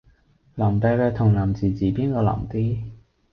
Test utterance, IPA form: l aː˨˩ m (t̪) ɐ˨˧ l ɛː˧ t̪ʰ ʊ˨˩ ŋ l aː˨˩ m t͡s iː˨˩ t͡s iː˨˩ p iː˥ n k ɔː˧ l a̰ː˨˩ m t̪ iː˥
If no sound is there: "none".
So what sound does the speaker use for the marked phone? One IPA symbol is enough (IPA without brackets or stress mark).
t̪